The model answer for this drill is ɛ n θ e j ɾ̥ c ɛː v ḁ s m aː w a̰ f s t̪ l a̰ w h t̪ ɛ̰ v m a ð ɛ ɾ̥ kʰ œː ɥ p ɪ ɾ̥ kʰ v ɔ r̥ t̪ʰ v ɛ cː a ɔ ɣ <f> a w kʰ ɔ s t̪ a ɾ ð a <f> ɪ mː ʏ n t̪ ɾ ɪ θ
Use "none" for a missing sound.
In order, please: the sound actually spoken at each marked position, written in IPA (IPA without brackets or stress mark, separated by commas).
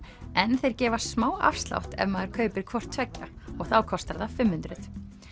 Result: θ, f